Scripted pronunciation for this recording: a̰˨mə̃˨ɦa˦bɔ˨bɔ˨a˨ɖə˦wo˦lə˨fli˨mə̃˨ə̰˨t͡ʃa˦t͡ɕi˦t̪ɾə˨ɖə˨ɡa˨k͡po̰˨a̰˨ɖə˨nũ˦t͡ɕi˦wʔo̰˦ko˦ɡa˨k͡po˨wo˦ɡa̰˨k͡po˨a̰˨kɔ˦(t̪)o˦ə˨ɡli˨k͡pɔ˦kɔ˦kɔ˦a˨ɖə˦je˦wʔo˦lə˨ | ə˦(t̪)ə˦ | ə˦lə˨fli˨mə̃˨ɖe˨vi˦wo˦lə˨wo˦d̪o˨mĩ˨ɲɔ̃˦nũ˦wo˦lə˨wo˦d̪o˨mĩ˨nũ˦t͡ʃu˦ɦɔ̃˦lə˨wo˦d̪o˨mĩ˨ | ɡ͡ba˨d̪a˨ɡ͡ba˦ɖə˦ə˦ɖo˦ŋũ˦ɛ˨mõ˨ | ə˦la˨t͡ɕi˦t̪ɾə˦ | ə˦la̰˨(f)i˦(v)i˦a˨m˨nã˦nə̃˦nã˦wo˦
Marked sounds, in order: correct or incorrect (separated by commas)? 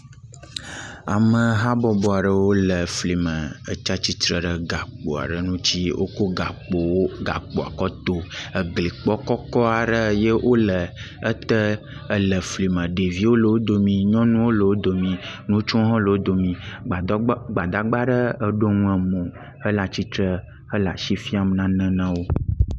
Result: correct, correct, incorrect, incorrect